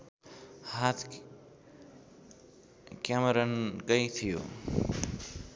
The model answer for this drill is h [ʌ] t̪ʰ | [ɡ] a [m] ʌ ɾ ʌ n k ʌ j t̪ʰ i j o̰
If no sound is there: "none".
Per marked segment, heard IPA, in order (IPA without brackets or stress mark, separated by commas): a, k, m